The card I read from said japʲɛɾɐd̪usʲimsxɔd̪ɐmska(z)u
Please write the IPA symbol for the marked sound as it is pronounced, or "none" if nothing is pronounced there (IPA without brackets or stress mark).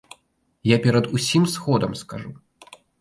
ʐ